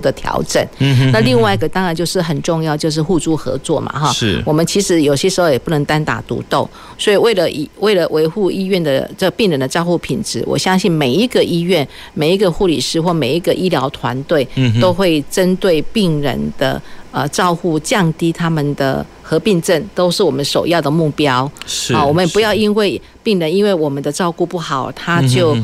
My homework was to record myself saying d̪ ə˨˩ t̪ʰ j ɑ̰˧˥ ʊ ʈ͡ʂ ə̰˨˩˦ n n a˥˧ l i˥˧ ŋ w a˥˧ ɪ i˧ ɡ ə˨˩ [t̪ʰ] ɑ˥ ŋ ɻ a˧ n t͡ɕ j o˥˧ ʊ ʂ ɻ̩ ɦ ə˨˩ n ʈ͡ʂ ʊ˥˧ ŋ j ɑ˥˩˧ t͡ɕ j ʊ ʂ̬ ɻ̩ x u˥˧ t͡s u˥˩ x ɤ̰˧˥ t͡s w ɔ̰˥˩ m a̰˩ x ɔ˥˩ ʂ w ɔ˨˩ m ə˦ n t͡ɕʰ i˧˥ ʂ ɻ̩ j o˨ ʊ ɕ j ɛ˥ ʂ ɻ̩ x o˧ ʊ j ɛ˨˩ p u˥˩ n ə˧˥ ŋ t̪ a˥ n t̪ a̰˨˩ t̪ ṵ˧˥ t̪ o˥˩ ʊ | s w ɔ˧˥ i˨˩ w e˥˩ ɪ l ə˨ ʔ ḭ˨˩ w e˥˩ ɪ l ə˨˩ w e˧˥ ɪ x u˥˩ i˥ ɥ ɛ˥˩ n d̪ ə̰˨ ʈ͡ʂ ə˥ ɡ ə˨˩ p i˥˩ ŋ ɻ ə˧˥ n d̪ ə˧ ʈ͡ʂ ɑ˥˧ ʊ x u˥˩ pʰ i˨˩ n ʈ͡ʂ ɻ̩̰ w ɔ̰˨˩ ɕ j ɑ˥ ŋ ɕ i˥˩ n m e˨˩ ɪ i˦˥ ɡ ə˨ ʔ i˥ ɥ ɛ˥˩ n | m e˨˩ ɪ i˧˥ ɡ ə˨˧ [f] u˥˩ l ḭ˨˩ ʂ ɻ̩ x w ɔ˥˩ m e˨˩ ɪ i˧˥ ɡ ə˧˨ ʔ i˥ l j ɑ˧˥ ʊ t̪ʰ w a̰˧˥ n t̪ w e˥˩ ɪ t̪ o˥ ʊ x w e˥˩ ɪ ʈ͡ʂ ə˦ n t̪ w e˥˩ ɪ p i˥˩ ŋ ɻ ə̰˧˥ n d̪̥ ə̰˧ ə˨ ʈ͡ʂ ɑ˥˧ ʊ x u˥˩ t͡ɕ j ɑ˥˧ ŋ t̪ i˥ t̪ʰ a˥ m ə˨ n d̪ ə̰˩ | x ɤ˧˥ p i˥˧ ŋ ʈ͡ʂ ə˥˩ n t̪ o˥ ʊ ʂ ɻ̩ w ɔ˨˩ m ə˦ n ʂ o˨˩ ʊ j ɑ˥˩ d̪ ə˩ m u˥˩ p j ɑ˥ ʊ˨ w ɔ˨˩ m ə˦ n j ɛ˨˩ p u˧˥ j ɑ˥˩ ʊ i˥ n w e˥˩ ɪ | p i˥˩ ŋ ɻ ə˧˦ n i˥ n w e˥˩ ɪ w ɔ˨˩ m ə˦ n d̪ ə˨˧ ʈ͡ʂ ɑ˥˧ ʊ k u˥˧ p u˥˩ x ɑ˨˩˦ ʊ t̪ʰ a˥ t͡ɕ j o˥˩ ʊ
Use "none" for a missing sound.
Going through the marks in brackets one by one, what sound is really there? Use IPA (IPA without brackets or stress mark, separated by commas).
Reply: t̪, x